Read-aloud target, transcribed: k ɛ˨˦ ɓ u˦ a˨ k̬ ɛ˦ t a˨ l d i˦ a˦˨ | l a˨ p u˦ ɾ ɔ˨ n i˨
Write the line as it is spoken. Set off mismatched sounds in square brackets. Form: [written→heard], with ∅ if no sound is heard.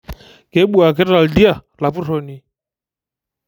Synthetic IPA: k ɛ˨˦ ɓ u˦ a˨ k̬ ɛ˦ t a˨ l d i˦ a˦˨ | l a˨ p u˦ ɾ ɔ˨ n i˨